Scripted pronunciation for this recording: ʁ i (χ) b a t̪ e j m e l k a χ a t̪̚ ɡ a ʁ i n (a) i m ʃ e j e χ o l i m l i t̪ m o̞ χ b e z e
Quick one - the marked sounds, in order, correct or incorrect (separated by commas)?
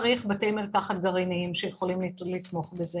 correct, incorrect